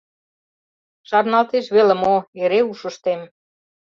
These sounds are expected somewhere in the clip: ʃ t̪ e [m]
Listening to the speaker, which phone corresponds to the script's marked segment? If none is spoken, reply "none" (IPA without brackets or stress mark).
m